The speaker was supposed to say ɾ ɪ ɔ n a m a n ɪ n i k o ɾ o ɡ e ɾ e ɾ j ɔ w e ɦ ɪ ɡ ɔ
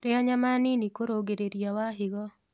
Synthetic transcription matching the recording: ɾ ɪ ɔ ɲ a m a n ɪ n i k o ɾ o ɡ e ɾ e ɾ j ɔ w a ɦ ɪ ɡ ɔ